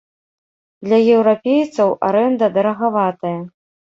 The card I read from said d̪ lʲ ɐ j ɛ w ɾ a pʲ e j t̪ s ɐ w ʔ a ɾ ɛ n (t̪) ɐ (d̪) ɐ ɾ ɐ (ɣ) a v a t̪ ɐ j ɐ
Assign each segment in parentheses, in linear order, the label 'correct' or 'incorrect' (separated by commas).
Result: incorrect, correct, correct